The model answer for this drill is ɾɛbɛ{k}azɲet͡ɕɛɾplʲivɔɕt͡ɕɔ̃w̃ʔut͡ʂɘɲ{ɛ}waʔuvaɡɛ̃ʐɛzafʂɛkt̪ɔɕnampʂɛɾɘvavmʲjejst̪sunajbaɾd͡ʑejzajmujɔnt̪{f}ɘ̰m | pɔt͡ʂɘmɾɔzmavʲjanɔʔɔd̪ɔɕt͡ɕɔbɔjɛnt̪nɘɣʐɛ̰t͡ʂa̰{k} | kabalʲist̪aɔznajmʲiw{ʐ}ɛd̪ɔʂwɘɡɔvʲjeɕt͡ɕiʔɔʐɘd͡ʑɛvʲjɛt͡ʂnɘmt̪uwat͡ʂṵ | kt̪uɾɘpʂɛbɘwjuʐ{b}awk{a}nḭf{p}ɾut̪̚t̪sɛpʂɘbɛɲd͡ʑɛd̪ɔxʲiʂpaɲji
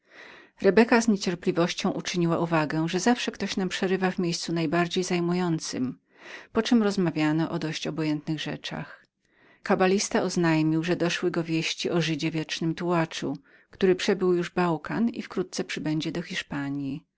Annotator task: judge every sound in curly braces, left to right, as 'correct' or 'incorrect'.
correct, incorrect: i, incorrect: s, incorrect: x, correct, correct, correct, incorrect: k

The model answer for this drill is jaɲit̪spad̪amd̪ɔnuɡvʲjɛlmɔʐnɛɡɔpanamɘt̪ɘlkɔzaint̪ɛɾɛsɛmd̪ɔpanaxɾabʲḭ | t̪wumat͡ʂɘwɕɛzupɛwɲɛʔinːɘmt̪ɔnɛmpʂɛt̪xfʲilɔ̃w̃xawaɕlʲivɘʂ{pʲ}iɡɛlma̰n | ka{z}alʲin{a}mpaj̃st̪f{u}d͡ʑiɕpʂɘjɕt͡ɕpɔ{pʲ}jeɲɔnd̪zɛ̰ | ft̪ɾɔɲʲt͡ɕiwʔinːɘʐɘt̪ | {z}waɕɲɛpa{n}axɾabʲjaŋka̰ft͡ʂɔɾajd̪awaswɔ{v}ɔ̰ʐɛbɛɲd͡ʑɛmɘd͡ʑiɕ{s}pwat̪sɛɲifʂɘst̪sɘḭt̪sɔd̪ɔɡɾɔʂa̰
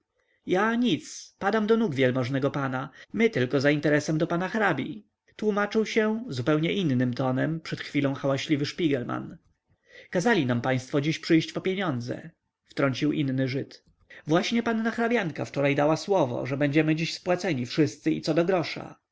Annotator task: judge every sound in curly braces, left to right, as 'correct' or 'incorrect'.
correct, correct, correct, incorrect: ɔ, correct, incorrect: v, incorrect: nː, correct, correct

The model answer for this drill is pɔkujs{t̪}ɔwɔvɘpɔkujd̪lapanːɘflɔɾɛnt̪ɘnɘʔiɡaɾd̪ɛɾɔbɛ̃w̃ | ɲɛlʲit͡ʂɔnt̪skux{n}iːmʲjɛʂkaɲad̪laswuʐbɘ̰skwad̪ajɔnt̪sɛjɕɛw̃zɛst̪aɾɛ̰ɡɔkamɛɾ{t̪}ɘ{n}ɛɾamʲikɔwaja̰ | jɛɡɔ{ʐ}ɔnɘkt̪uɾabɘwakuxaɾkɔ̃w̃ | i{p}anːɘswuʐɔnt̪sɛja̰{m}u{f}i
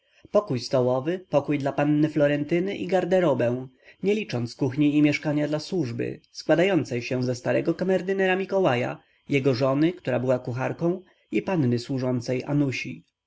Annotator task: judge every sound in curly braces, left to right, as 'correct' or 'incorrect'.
correct, incorrect: ɲ, incorrect: d̪, correct, correct, correct, incorrect: n, incorrect: ɕ

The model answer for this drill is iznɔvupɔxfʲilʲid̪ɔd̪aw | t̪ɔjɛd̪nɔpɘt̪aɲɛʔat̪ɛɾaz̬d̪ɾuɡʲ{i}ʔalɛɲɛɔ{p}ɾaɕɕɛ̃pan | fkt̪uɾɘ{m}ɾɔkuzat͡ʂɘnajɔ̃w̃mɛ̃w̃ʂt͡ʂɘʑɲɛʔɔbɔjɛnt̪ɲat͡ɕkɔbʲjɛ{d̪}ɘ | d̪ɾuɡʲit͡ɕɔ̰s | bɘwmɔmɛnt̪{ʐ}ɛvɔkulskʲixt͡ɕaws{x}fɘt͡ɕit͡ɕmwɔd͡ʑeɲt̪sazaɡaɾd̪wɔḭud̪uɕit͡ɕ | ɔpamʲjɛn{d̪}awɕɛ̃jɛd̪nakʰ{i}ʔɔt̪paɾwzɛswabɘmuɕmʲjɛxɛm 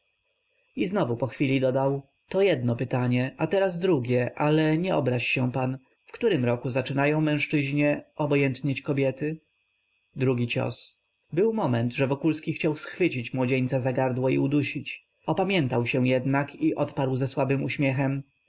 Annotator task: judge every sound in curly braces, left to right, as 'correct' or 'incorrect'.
incorrect: ɛ, incorrect: b, correct, incorrect: t̪, correct, correct, incorrect: t̪, correct

